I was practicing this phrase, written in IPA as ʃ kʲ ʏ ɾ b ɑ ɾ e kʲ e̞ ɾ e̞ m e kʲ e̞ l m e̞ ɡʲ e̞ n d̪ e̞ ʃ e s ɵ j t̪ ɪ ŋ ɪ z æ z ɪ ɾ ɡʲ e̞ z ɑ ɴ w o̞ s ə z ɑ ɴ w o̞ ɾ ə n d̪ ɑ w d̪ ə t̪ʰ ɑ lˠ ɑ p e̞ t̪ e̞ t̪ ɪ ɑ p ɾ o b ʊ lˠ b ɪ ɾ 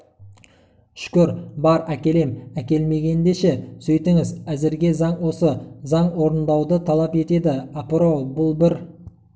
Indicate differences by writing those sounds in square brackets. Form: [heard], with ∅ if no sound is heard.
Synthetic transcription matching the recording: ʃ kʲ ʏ ɾ b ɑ ɾ [æ] kʲ e̞ [l] e̞ m [æ] kʲ e̞ l m e̞ ɡʲ e̞ n d̪ e̞ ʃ e s ɵ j t̪ ɪ ŋ ɪ z æ z ɪ ɾ ɡʲ e̞ z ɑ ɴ w o̞ s ə z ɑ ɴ w o̞ ɾ ə n d̪ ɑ w d̪ ə t̪ʰ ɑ lˠ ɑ p e̞ t̪ e̞ [d̪] ɪ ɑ p ɾ o b ʊ lˠ b ɪ ɾ